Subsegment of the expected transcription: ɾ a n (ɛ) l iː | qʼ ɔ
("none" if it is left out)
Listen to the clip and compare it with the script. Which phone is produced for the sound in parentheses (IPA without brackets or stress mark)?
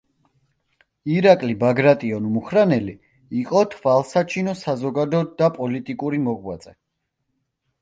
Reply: ɛ